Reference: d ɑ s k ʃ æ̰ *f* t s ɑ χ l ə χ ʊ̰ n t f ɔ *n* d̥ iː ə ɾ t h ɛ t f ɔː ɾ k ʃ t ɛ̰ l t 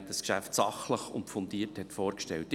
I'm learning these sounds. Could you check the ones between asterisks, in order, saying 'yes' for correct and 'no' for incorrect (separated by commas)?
yes, yes